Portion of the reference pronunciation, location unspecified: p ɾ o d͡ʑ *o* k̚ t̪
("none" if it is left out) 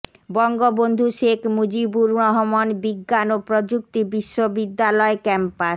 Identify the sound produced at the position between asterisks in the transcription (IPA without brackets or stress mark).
u